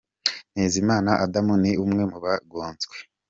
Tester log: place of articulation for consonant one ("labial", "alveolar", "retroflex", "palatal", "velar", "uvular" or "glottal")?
alveolar